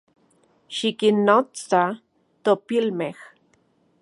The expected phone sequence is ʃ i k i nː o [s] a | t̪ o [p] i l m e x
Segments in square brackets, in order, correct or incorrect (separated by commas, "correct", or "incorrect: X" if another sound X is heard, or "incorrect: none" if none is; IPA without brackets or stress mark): incorrect: t͡s, correct